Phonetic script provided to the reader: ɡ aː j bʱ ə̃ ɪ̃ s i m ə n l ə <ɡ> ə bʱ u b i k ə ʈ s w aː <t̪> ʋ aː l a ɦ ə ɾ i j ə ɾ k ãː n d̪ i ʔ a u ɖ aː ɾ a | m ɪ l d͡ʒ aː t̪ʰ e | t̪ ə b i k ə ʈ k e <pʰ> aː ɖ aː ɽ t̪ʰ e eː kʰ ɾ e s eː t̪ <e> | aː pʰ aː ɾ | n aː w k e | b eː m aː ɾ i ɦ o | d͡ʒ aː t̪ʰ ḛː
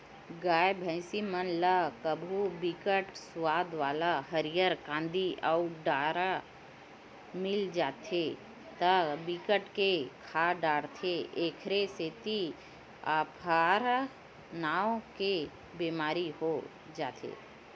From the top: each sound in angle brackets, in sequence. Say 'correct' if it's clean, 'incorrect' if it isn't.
incorrect: k, incorrect: d̪, incorrect: kʰ, incorrect: i

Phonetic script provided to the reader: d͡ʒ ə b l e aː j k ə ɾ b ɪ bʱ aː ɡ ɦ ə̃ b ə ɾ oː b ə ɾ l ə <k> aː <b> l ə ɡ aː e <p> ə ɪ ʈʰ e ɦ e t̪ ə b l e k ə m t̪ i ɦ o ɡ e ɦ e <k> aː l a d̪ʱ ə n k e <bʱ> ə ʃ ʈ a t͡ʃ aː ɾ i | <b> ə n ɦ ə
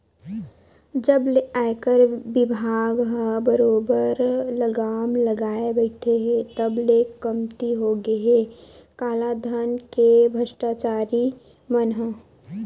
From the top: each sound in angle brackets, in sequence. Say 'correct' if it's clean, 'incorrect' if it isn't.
incorrect: ɡ, incorrect: m, incorrect: b, correct, correct, incorrect: m

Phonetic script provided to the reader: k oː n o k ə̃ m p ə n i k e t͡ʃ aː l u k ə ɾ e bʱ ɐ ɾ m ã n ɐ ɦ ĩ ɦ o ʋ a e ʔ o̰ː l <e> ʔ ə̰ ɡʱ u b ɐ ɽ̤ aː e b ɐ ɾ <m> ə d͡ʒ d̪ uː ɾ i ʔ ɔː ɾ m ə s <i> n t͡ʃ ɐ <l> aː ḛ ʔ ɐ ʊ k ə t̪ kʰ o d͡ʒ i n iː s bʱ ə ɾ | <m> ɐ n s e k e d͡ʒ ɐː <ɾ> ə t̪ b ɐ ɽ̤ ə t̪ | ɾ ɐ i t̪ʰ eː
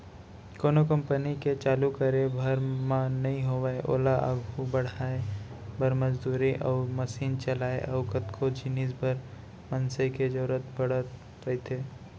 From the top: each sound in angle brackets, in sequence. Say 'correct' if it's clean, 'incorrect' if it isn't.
incorrect: a, correct, incorrect: iː, correct, correct, correct

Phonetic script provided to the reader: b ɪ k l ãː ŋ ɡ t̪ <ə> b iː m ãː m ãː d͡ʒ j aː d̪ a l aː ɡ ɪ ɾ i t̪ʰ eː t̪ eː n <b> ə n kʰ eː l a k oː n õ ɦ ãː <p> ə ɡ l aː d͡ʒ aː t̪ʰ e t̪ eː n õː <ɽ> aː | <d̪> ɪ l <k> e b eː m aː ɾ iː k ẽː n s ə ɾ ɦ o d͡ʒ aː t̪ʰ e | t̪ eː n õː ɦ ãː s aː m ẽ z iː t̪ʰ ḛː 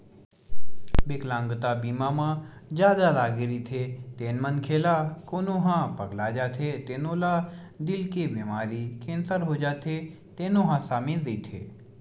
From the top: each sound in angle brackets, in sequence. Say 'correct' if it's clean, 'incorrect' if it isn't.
incorrect: a, incorrect: m, correct, incorrect: l, correct, correct

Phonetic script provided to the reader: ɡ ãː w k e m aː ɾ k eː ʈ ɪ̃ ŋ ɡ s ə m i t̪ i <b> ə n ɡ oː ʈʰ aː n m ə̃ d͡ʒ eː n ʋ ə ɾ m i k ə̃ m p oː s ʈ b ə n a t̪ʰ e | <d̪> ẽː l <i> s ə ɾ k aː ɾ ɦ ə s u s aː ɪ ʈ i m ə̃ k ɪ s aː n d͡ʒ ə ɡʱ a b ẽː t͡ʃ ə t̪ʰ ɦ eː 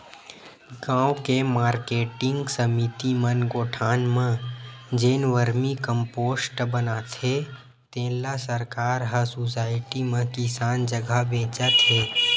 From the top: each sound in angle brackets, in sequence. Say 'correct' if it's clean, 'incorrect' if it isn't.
incorrect: m, incorrect: t̪, incorrect: a

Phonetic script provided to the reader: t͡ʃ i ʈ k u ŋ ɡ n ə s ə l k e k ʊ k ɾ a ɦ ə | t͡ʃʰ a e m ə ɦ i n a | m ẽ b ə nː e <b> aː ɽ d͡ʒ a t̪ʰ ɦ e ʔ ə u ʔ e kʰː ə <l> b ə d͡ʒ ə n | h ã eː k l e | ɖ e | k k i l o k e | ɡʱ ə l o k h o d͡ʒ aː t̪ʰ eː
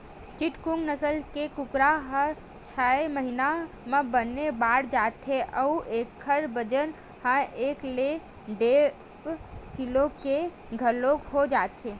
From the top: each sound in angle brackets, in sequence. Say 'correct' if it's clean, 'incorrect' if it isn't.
correct, incorrect: ɾ

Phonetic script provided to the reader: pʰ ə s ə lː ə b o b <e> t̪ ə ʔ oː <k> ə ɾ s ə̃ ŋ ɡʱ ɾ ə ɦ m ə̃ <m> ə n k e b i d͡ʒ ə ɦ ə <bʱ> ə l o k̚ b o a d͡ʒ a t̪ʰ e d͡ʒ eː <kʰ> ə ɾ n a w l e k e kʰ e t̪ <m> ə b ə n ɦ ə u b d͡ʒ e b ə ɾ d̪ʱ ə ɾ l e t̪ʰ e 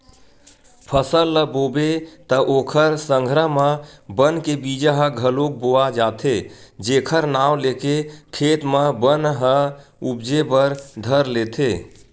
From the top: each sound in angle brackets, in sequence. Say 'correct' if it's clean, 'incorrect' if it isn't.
correct, incorrect: kʰ, incorrect: b, incorrect: ɡʱ, correct, correct

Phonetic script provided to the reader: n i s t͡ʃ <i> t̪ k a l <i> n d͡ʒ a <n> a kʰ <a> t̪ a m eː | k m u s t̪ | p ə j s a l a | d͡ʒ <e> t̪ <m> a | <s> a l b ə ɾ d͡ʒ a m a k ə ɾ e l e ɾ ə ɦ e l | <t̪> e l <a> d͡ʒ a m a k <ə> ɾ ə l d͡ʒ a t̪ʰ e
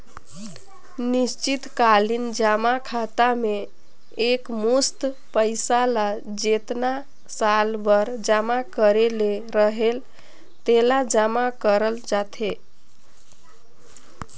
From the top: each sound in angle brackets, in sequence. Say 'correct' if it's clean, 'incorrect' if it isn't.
correct, correct, incorrect: m, correct, correct, incorrect: n, correct, correct, correct, correct

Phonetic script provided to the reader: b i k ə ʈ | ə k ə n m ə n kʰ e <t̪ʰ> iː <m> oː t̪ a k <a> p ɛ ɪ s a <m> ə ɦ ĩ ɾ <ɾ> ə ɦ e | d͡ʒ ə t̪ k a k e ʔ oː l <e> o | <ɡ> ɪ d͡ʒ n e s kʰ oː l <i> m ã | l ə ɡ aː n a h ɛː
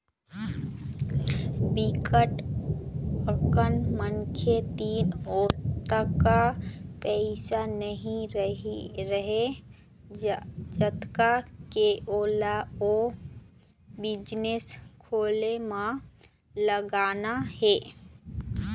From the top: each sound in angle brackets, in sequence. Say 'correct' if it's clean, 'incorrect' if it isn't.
incorrect: t̪, incorrect: n, correct, incorrect: n, correct, incorrect: a, incorrect: b, incorrect: e

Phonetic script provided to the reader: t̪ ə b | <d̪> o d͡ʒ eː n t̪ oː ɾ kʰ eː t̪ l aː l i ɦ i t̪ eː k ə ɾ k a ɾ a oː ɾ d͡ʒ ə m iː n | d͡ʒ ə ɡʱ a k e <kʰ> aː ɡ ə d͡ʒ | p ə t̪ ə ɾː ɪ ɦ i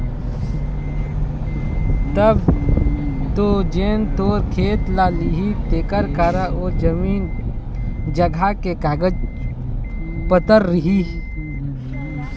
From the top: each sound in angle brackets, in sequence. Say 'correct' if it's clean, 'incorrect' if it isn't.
incorrect: t̪, incorrect: k

